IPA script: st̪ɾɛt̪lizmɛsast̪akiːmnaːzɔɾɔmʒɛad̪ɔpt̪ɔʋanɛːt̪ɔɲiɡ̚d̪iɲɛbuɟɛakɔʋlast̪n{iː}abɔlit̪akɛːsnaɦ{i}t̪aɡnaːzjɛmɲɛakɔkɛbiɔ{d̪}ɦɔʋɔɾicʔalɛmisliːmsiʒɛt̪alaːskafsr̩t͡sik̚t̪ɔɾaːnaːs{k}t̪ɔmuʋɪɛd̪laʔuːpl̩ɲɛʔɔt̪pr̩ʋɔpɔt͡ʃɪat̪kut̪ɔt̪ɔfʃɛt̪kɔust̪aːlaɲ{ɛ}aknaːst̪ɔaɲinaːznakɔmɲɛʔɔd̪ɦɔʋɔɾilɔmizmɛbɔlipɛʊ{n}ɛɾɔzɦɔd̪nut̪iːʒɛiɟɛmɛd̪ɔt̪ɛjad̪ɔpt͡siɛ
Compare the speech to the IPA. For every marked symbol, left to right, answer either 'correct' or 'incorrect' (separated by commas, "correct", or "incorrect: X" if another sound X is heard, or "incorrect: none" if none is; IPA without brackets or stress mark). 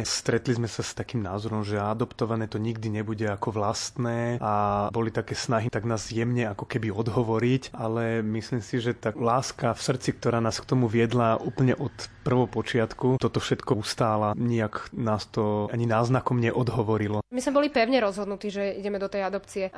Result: incorrect: ɛː, correct, correct, correct, incorrect: i, incorrect: ɲ